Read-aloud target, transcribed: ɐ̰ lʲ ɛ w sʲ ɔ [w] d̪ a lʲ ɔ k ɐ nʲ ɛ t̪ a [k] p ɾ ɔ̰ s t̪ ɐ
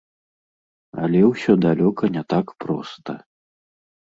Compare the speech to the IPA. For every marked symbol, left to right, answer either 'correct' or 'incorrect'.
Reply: incorrect, correct

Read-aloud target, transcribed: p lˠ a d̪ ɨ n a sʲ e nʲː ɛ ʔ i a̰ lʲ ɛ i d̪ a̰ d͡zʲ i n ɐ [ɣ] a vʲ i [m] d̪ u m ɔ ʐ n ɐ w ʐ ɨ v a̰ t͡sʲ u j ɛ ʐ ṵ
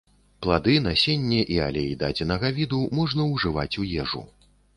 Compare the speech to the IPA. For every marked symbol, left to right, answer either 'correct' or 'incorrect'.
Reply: correct, incorrect

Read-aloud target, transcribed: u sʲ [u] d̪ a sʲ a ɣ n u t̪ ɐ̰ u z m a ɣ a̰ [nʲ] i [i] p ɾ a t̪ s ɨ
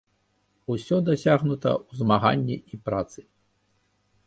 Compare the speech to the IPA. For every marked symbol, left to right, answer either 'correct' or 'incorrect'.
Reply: incorrect, incorrect, correct

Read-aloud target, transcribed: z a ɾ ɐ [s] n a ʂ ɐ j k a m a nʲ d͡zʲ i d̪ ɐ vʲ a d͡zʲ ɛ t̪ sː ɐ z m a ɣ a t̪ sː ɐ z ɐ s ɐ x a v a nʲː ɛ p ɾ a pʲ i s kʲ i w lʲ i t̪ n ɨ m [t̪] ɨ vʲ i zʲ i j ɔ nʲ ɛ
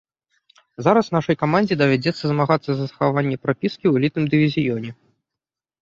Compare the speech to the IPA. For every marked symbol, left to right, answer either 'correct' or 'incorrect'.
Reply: correct, incorrect

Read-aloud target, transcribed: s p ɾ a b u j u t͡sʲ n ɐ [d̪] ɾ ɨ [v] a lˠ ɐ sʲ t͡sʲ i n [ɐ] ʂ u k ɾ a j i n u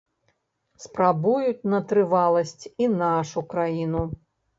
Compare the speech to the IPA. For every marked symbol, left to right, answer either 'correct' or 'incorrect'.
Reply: incorrect, correct, incorrect

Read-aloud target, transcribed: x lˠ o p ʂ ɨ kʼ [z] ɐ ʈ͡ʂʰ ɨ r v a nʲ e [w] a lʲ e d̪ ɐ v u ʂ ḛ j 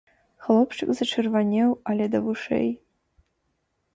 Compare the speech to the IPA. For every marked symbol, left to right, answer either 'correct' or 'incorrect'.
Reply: correct, correct

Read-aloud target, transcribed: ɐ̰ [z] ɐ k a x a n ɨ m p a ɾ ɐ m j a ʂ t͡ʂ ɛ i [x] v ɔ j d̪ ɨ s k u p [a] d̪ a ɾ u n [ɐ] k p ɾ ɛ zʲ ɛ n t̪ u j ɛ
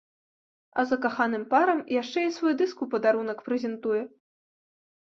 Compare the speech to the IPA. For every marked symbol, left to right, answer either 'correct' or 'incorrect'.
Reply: correct, incorrect, incorrect, correct

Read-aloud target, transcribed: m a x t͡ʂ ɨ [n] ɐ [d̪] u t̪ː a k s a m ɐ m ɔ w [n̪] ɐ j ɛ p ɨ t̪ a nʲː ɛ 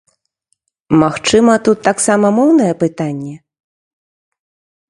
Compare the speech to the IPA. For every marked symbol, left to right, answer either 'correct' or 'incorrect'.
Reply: incorrect, incorrect, correct

